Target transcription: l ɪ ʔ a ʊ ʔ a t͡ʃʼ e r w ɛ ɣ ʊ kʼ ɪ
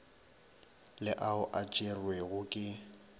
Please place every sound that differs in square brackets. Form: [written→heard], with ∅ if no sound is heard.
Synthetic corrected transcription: l ɪ ʔ a ʊ ʔ a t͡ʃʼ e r w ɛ ɣ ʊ kʼ ɪ

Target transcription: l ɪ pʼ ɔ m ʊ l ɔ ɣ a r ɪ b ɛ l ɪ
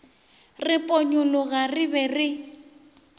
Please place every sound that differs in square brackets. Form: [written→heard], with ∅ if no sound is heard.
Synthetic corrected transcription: [l→r] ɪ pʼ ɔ [m→ɲ] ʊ l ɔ ɣ a r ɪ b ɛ [l→r] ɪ

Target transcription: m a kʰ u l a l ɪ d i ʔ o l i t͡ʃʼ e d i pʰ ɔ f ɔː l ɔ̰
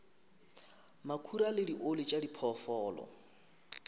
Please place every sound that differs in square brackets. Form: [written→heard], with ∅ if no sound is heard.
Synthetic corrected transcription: m a kʰ u [l→ɾ] a l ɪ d i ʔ o l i t͡ʃʼ [e→a] d i pʰ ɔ f ɔː l ɔ̰

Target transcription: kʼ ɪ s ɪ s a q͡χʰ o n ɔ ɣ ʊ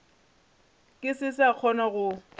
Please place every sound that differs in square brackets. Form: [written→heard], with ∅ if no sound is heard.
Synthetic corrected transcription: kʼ ɪ s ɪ s a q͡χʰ [o→ɔ] n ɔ ɣ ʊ

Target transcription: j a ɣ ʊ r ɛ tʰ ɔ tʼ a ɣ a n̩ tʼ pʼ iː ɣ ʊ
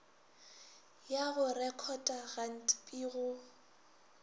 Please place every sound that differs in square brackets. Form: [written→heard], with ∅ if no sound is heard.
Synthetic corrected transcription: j a ɣ ʊ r ɛ [tʰ→kʰ] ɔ tʼ a ɣ a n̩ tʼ pʼ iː ɣ ʊ

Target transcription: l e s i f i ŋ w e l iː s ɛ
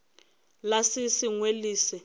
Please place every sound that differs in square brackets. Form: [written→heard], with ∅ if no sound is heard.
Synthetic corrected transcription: l [e→a] s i [f→s] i ŋ w e l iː s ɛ

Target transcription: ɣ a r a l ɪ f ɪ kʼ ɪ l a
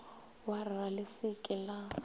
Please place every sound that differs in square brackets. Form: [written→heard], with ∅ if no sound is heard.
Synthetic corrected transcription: [ɣ→w] a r a l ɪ [f→s] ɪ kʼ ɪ l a

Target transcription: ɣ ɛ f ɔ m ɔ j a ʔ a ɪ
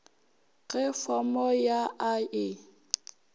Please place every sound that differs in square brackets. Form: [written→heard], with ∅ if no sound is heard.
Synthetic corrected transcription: ɣ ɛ f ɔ m ɔ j a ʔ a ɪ

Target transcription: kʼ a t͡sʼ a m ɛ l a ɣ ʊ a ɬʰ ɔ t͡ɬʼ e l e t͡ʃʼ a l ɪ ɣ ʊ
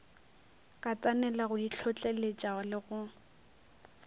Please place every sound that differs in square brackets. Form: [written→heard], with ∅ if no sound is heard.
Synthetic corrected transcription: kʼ a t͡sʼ a [m→n] ɛ l a ɣ ʊ [a→i] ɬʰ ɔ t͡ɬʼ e l e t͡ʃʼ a l ɪ ɣ ʊ

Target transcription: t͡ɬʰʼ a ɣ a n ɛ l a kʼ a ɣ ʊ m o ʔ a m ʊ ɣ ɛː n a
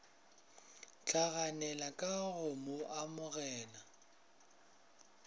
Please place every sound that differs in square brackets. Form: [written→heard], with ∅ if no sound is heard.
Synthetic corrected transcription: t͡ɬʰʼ a ɣ a n ɛ l a kʼ a ɣ ʊ m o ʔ a m ʊ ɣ ɛː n a

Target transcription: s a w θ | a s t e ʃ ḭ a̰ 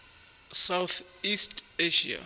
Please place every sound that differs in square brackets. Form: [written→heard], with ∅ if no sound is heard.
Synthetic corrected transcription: s a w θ | [a→i] s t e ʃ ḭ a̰

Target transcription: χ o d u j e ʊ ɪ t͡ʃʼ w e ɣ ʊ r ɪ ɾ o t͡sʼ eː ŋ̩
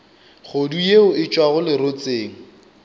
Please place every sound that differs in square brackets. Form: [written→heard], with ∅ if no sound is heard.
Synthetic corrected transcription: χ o d u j e ʊ ɪ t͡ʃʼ w [e→a] ɣ ʊ [r→l] ɪ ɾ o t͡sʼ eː ŋ̩

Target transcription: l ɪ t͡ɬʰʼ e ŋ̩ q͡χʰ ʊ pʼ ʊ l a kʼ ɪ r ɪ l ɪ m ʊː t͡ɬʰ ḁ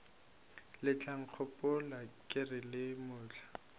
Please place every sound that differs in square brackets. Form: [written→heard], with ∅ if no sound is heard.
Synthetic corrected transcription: l ɪ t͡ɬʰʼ [e→a] ŋ̩ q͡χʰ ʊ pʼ ʊ l a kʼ ɪ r ɪ l ɪ m ʊː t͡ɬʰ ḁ

